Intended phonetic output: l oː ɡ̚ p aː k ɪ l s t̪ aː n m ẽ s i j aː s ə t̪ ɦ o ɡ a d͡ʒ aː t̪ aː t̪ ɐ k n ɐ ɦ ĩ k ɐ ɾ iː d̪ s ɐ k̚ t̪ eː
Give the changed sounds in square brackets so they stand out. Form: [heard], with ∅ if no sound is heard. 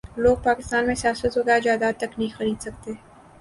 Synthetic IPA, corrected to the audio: l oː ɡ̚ p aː k ɪ [∅] s t̪ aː n m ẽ s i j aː s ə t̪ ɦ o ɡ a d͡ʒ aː [d̪] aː t̪ ɐ k n ɐ ɦ ĩ [x] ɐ ɾ iː d̪ s ɐ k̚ t̪ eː